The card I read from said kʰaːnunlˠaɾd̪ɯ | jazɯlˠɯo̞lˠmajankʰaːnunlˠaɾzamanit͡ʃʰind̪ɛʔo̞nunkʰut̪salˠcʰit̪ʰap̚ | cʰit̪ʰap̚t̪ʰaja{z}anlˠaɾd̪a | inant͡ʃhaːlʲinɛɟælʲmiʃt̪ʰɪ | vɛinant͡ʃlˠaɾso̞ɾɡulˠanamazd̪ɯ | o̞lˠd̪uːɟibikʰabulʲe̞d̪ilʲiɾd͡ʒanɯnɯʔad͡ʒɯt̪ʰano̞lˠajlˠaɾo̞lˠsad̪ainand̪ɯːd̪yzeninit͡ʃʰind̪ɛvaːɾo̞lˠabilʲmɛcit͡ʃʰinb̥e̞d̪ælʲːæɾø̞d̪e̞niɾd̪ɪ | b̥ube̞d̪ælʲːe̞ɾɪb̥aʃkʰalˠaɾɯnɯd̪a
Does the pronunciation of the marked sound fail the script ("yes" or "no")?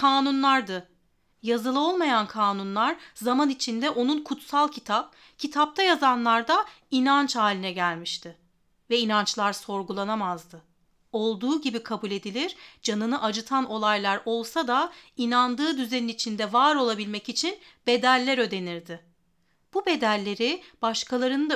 no